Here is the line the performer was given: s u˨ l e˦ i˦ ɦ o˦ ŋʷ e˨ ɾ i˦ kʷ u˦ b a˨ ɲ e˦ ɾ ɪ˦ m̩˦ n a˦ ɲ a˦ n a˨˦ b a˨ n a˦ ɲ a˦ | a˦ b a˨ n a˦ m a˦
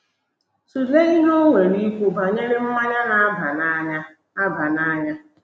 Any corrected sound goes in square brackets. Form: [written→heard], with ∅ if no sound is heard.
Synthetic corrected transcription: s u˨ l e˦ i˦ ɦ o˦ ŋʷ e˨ ɾ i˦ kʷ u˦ b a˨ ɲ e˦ ɾ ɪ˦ m̩˦ [n→m] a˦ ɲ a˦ n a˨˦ b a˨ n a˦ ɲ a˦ | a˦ b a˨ n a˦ [m→ɲ] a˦